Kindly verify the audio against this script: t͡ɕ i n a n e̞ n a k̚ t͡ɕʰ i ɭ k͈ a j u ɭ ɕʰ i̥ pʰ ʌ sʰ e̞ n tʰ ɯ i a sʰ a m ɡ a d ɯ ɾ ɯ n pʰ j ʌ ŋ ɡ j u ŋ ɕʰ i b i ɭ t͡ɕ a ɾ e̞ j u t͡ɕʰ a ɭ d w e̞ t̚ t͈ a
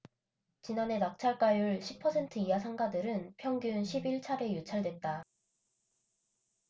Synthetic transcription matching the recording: t͡ɕ i n a n e̞ n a k̚ t͡ɕʰ a ɭ k͈ a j u ɭ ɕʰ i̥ pʰ ʌ sʰ e̞ n tʰ ɯ i a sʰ a ŋ ɡ a d ɯ ɾ ɯ n pʰ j ʌ ŋ ɡ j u n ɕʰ i b i ɭ t͡ɕʰ a ɾ e̞ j u t͡ɕʰ a ɭ d w e̞ t̚ t͈ a